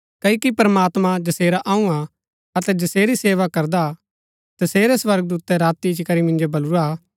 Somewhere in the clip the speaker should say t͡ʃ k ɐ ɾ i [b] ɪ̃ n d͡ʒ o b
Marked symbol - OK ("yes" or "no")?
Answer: no